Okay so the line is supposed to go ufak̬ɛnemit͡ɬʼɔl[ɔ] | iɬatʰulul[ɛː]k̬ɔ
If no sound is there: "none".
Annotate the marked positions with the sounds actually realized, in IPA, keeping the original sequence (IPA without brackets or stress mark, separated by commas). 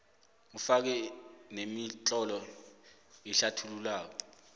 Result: ɔ, aː